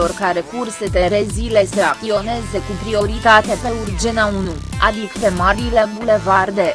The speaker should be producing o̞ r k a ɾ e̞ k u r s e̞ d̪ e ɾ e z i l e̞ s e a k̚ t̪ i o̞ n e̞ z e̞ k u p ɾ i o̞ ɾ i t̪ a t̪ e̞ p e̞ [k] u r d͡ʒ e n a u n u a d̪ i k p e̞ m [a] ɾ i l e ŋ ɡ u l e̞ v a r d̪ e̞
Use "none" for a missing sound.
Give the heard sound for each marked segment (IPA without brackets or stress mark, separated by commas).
none, a